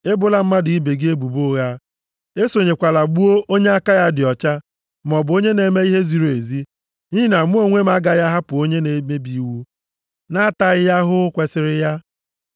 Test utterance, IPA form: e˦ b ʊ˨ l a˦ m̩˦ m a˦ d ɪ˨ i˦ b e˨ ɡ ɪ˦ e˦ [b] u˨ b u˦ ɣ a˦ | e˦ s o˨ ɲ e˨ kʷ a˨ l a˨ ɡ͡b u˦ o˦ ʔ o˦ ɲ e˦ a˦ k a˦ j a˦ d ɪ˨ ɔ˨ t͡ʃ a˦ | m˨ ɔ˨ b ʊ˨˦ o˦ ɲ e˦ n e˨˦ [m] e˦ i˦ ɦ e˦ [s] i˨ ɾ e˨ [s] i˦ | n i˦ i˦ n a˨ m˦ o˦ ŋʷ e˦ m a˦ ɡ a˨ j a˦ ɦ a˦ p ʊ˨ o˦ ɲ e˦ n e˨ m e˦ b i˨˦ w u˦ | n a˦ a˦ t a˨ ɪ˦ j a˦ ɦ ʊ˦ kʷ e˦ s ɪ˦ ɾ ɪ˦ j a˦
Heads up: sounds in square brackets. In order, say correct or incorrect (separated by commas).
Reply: correct, correct, incorrect, incorrect